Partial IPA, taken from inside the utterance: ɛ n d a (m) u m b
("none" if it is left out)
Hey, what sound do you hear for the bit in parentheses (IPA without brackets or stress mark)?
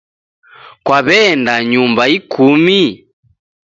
ɲ